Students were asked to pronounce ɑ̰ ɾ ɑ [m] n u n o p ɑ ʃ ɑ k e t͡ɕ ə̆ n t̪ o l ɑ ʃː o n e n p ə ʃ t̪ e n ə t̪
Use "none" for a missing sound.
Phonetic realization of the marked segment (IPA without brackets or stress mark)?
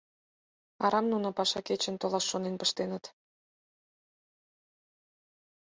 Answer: m